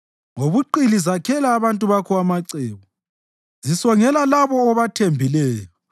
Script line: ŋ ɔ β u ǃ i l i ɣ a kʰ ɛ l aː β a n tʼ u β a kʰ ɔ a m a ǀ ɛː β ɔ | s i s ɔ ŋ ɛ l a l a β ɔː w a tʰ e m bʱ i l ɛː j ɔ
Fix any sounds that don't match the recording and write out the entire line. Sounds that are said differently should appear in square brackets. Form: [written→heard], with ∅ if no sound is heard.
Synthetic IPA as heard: ŋ [ɔ→o] β u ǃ i l i [ɣ→z] a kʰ ɛ l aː β a n tʼ u β a kʰ ɔ a m a ǀ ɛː β ɔ | [s→z] i s ɔ ŋ ɛ l a l a β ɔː [w→β] a tʰ e m bʱ i l ɛː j ɔ